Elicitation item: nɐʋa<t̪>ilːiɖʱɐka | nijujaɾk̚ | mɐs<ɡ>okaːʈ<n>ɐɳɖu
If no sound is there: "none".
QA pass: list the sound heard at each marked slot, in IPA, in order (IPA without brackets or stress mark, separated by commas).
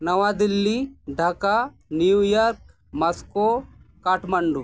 d̪, k, m